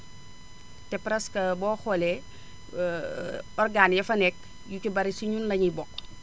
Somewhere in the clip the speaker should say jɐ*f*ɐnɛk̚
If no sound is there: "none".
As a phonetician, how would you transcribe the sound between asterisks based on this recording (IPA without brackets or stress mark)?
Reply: f